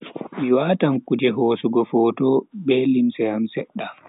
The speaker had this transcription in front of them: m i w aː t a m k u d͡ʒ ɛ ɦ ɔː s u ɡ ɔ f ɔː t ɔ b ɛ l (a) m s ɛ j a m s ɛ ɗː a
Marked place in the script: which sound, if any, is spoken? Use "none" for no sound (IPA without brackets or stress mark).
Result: i